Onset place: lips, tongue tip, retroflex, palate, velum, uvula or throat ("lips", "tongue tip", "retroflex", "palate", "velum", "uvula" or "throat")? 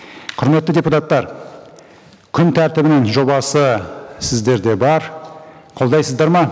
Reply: uvula